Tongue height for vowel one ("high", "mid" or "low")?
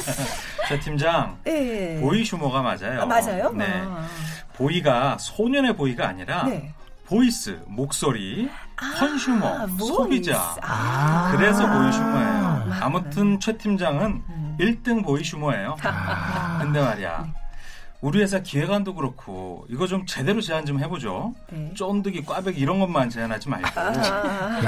mid